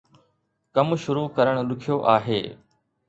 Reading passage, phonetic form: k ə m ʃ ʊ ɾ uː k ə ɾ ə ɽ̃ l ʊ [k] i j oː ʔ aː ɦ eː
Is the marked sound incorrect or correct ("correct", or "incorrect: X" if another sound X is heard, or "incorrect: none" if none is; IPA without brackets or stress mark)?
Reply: incorrect: kʰ